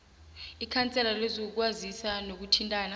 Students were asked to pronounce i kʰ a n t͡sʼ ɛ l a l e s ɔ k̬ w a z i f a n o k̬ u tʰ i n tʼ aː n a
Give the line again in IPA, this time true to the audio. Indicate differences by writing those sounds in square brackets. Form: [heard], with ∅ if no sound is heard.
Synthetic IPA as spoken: i kʰ a n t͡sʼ ɛ l a l e [z] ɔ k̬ w a z i [s] a n o k̬ u tʰ i n tʼ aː n a